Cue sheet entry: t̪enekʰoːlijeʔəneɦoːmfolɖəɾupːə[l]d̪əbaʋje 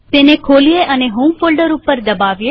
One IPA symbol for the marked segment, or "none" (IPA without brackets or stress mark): ɾ